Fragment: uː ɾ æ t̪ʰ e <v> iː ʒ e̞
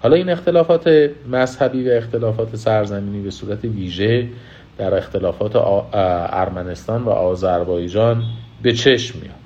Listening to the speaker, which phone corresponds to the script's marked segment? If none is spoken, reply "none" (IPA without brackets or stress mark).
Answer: v